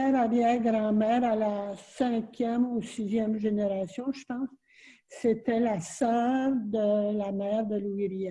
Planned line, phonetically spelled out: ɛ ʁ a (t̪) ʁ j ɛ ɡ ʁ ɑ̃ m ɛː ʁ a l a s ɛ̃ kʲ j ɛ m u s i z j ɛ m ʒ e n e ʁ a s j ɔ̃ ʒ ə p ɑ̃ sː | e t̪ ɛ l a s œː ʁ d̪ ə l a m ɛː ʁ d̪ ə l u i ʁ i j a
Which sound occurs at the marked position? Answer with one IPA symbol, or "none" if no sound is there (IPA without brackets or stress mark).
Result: none